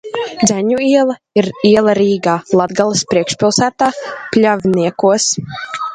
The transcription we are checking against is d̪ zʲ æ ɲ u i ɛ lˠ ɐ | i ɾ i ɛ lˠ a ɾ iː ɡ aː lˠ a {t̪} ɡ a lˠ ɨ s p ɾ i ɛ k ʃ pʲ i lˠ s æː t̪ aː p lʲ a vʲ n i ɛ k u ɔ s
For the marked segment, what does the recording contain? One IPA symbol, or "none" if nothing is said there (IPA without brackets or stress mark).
d̪